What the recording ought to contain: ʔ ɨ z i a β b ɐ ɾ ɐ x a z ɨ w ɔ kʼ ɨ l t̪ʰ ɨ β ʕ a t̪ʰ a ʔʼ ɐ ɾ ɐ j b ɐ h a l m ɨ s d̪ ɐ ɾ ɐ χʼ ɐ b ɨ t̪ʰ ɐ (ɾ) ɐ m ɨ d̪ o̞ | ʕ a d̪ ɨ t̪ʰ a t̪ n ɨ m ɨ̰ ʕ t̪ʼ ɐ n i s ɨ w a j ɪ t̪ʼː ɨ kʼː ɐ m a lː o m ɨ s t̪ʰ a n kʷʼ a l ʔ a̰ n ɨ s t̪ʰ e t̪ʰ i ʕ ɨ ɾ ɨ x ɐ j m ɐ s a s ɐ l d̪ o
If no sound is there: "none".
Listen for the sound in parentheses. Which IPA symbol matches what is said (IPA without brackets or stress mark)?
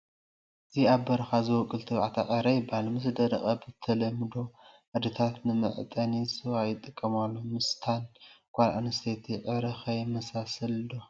l